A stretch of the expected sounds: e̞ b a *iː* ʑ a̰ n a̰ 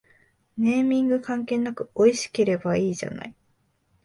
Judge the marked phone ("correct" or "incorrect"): correct